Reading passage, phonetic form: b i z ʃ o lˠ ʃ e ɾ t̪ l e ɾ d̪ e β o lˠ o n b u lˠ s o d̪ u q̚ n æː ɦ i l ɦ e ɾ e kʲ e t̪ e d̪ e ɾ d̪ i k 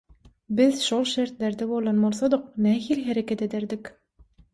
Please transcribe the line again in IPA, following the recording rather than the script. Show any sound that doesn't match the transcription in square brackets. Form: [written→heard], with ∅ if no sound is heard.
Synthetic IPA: b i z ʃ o lˠ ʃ e ɾ t̪ l e ɾ d̪ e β o lˠ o n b [u→o] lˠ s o d̪ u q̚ n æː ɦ i l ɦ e ɾ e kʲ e t̪ e d̪ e ɾ d̪ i k